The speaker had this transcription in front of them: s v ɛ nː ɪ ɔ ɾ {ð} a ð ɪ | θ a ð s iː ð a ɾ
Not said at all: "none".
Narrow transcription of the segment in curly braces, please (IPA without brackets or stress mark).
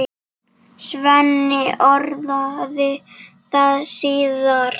ð